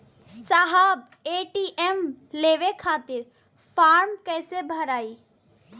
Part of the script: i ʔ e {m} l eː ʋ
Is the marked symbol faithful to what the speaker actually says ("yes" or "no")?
yes